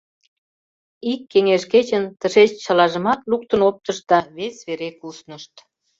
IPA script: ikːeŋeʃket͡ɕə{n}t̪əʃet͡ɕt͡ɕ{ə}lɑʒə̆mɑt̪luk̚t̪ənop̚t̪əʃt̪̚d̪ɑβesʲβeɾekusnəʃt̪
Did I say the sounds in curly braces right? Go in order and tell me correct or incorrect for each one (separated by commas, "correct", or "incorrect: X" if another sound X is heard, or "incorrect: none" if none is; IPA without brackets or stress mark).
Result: correct, incorrect: ɑ